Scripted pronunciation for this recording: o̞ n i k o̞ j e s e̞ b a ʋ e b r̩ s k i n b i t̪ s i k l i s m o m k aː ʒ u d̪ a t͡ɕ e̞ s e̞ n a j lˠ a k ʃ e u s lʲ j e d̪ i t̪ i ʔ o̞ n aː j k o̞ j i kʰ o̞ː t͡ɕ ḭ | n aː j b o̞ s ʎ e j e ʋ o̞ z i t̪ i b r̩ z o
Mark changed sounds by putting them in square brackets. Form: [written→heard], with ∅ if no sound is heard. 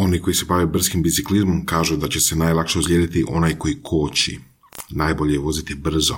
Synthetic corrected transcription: o̞ n i k o̞ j [e→i] s e̞ b a ʋ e b r̩ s k i [n→m] b i t̪ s i k l i [s→z] m o m k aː ʒ u d̪ a t͡ɕ e̞ s e̞ n a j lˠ a k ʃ e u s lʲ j e d̪ i t̪ i ʔ o̞ n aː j k o̞ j i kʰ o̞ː t͡ɕ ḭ | n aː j b o̞ [s→∅] ʎ e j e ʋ o̞ z i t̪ i b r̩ z o